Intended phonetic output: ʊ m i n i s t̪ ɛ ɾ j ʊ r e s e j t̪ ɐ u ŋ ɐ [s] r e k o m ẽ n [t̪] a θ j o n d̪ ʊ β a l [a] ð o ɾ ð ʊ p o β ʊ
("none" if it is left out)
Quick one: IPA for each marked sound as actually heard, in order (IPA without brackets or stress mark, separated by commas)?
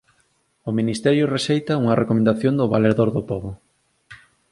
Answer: none, d̪, e